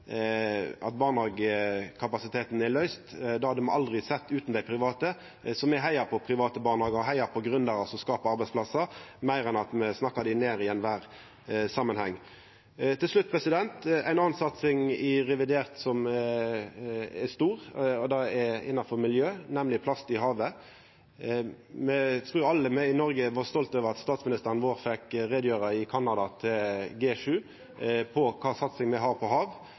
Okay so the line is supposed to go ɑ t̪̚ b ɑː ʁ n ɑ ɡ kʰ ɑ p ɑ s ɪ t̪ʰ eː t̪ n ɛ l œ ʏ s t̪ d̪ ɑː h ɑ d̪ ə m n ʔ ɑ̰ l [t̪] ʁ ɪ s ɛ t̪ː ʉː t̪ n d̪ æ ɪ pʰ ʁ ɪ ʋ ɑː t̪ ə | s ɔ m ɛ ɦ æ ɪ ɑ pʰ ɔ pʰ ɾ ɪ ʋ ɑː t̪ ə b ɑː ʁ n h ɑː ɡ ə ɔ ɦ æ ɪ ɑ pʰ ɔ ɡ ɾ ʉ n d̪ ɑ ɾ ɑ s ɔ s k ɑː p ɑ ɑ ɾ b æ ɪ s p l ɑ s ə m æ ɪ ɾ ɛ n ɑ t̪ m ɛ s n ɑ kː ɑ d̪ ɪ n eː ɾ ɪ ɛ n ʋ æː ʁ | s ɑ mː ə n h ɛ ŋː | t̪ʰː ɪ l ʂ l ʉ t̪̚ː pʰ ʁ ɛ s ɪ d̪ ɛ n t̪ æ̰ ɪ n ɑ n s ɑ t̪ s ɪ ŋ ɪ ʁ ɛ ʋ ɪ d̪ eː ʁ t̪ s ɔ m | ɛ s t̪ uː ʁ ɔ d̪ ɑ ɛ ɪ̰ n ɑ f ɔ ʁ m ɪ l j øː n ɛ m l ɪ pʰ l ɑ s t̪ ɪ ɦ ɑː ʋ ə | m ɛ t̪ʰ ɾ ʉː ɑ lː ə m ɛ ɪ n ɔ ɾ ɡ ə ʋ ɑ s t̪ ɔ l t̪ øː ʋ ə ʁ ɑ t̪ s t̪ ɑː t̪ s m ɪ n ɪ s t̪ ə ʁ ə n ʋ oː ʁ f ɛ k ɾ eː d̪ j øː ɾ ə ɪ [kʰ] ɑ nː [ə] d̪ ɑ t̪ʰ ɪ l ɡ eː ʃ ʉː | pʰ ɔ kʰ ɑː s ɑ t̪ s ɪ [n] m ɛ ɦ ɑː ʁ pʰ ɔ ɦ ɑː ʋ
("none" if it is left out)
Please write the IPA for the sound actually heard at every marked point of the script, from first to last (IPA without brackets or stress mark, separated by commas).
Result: d̪, kʰ, ɑ, ŋ